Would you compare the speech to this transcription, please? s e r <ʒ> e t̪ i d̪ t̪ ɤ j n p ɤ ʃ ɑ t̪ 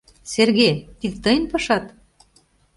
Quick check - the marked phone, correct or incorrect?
incorrect